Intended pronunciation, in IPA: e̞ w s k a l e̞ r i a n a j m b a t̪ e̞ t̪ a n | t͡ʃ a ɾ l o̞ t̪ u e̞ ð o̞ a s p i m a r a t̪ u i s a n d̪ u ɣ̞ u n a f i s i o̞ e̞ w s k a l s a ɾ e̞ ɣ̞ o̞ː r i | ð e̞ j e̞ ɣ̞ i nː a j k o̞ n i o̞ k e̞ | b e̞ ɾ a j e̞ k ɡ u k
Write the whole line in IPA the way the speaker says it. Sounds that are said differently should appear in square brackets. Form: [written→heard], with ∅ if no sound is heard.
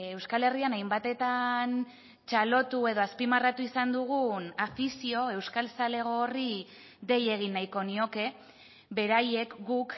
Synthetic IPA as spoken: e̞ w s k a l e̞ r i a n a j m b a t̪ e̞ t̪ a n | t͡ʃ a [ɾ→∅] l o̞ t̪ u e̞ ð o̞ a s p i m a r a t̪ u i s a n d̪ u ɣ̞ u n a f i s i o̞ e̞ w s k a l s a [ɾ→l] e̞ ɣ̞ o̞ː r i | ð e̞ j e̞ ɣ̞ i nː a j k o̞ n i o̞ k e̞ | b e̞ ɾ a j e̞ k ɡ u k